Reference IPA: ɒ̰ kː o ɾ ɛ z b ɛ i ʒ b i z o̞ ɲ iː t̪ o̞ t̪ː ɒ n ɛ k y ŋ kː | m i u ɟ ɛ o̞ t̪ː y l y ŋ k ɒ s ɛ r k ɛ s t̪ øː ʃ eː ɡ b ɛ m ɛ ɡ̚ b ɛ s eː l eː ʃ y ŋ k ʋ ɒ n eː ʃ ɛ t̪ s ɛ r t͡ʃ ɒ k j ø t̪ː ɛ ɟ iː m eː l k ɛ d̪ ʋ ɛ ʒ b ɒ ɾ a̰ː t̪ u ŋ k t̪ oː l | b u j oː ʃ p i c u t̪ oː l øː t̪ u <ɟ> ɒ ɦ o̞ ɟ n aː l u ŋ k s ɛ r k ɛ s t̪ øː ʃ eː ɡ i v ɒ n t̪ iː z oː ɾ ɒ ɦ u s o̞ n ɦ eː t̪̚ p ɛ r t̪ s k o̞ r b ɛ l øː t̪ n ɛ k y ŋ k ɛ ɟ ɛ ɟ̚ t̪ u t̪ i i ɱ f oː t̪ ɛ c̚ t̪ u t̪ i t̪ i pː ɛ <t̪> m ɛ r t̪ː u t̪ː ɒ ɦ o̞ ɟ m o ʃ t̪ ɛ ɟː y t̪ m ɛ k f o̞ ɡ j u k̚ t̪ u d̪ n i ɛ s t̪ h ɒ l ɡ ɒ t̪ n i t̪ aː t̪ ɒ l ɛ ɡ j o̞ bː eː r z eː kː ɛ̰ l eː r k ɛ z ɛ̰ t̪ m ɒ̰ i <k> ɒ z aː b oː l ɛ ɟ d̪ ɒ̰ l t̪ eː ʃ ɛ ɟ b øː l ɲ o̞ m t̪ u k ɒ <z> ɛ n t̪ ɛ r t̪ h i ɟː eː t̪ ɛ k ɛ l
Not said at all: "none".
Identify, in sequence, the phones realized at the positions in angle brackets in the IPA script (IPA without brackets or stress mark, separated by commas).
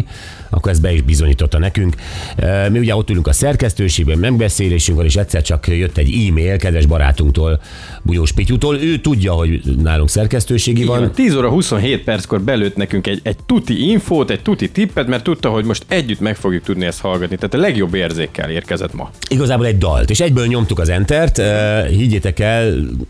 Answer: ɟː, t̪, ɡ, z